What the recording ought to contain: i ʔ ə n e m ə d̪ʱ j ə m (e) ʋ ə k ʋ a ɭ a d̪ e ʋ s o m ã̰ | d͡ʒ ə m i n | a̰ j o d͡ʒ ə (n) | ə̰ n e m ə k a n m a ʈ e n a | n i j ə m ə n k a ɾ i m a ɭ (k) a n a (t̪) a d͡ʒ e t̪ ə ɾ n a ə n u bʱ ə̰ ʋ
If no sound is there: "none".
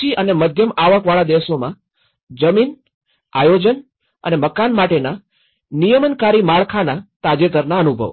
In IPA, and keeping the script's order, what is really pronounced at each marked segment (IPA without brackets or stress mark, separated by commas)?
a, n, kʰ, t̪